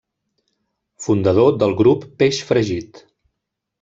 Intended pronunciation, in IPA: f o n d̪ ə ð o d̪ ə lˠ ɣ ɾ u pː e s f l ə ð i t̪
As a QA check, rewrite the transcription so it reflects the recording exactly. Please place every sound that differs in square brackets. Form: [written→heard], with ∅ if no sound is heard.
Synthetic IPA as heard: f [o→u] n d̪ ə ð o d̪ ə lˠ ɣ ɾ u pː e [s→ʃ] f [l→ɾ] ə [ð→ʒ] i t̪

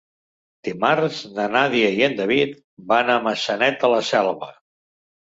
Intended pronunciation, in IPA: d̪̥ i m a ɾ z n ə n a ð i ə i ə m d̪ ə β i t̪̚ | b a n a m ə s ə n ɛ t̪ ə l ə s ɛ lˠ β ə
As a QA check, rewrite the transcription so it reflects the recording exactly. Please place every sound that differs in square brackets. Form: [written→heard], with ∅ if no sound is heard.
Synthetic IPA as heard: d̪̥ i m a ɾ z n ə n a ð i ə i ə [m→n] d̪ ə β i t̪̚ | b a n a m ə s ə n ɛ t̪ ə l ə s ɛ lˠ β ə

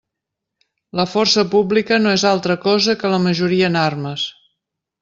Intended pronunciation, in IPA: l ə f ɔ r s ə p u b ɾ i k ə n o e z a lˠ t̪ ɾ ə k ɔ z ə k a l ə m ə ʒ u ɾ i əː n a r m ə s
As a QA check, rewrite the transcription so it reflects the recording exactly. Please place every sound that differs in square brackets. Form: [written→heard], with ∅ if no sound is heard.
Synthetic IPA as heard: l ə f ɔ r s ə p u b [ɾ→l] i k ə n o e z a lˠ t̪ ɾ ə k ɔ z ə k [a→ə] l ə m ə ʒ u ɾ i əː n a r m ə s

